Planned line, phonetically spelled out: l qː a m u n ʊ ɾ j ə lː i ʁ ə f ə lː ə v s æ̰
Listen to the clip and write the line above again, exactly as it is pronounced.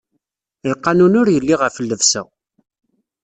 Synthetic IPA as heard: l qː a n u n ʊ ɾ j ə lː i ʁ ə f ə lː ə v s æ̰